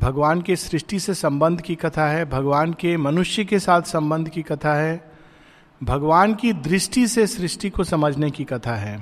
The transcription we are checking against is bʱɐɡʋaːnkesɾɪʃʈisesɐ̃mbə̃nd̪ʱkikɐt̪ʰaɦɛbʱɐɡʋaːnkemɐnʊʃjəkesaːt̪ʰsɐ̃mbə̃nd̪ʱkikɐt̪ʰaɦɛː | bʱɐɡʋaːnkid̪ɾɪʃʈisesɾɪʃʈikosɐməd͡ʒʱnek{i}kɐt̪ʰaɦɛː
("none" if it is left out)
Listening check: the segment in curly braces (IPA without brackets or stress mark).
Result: i